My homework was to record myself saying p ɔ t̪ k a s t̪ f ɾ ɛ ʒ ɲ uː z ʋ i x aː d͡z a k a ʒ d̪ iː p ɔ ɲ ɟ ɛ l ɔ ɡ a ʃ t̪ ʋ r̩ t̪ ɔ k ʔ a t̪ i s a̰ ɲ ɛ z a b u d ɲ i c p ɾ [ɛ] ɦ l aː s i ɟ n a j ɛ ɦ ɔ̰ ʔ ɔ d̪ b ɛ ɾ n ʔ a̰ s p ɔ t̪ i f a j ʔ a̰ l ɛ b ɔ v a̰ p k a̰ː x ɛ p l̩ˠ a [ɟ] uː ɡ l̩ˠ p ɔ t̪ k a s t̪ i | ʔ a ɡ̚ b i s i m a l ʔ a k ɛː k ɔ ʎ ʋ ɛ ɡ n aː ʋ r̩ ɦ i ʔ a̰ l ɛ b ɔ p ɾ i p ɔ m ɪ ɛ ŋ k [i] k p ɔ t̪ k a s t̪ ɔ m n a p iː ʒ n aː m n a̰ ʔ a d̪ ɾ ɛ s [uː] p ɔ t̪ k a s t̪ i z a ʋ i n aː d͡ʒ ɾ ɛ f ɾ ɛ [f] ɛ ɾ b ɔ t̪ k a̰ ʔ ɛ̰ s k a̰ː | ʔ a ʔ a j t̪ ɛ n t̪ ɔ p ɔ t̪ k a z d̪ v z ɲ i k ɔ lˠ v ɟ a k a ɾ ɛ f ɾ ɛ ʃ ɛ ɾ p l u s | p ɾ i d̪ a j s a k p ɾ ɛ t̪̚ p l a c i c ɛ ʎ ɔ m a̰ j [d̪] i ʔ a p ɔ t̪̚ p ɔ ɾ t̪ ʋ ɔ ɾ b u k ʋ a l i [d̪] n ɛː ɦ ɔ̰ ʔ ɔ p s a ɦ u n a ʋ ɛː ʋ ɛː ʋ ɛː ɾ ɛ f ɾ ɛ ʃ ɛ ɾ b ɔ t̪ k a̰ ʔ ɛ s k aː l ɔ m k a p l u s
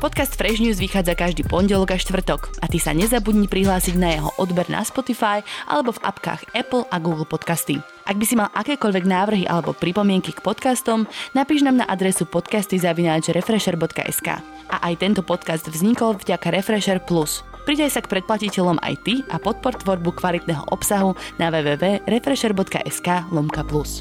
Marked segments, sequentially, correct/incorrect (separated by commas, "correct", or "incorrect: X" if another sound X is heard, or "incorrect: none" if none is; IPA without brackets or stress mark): incorrect: i, incorrect: ɡ, correct, incorrect: u, incorrect: ʃ, incorrect: t̪, incorrect: t̪